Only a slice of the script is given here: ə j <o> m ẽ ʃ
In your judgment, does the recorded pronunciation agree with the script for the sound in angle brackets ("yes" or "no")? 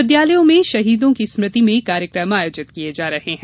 no